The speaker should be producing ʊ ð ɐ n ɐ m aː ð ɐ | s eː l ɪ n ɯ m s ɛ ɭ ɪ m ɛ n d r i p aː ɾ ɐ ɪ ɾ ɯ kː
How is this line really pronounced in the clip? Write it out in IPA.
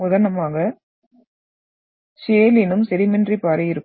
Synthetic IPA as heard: ʊ ð ɐ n ɐ m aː ɣ ɐ | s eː l ɪ n ɯ m s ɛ ɾ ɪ m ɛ n d r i p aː ɾ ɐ ɪ ɾ ɯ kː